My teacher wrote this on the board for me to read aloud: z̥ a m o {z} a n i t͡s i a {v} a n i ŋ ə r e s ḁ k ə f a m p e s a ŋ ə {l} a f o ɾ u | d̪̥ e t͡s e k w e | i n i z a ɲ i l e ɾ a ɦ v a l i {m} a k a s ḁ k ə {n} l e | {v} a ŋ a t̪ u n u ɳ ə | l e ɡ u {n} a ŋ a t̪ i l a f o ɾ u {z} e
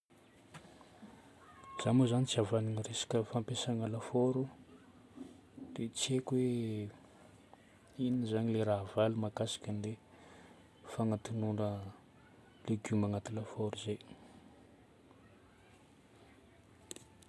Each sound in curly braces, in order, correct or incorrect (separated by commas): correct, correct, correct, correct, correct, incorrect, incorrect, correct